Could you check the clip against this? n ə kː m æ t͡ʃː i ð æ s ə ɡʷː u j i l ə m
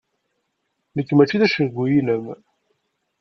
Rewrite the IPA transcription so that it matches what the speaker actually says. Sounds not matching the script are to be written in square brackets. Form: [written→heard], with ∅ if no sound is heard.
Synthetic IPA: n ə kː m æ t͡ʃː i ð æ [s→ʃ] ə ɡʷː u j i l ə m